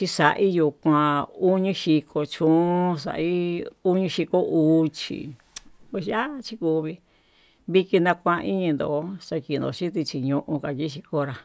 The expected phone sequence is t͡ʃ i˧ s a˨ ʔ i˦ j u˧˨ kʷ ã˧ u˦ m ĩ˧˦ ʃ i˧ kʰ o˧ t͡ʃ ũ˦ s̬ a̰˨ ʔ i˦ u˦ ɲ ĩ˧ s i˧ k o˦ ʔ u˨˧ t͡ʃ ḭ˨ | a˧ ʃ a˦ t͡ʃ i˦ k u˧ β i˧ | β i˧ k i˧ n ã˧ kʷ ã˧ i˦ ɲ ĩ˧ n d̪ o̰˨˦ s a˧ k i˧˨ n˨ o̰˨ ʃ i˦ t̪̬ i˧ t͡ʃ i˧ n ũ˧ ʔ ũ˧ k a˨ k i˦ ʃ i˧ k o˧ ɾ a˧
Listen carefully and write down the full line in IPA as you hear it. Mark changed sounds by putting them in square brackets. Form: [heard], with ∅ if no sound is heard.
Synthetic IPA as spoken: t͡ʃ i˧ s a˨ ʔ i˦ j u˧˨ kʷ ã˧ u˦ [ɲ] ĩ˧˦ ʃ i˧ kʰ o˧ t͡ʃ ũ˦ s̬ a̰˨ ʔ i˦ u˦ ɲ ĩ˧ [ʃ] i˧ k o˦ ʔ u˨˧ t͡ʃ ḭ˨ | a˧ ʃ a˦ t͡ʃ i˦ k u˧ β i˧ | β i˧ k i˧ n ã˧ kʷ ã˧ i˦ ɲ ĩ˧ n d̪ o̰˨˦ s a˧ k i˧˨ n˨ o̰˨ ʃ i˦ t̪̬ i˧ t͡ʃ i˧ [ɲ] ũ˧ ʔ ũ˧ k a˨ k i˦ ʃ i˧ k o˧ ɾ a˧